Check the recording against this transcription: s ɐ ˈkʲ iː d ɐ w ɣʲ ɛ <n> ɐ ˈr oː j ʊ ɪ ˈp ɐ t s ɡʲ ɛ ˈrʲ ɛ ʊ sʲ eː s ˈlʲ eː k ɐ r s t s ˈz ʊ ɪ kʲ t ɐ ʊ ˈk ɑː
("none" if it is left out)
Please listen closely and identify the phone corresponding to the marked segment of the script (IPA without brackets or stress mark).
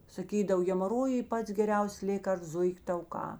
m